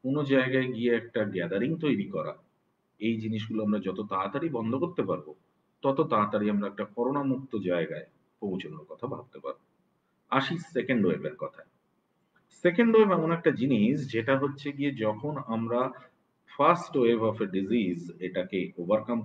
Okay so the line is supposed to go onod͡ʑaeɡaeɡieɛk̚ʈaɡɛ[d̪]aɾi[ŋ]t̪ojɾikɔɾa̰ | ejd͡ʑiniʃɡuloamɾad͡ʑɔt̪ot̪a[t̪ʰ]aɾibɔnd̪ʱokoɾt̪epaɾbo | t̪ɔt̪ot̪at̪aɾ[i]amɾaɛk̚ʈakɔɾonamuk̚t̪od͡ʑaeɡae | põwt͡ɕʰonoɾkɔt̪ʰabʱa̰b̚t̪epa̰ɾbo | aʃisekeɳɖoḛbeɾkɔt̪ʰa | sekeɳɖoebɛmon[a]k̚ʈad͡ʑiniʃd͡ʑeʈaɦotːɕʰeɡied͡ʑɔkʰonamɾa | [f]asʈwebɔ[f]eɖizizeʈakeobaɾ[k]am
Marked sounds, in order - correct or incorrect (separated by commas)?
correct, correct, incorrect, correct, incorrect, correct, correct, correct